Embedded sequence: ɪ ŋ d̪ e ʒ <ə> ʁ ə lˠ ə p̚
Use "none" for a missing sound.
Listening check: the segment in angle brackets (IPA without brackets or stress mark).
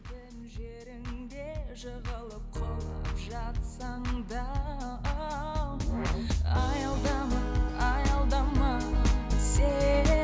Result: ə